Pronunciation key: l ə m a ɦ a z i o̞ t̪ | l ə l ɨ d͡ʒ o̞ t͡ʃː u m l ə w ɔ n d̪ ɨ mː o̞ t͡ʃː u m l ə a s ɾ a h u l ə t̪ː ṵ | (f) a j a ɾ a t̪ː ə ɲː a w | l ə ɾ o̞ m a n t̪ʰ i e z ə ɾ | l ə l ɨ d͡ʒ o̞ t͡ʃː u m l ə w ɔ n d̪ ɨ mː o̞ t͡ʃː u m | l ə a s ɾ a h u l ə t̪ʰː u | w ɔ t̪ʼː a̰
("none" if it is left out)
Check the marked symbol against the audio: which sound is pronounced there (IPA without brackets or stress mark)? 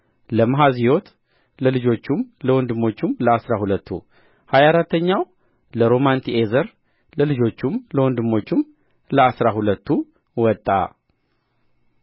h